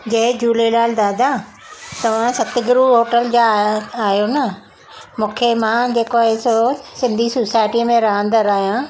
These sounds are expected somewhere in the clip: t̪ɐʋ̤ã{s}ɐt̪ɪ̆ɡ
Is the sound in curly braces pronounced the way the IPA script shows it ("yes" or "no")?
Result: yes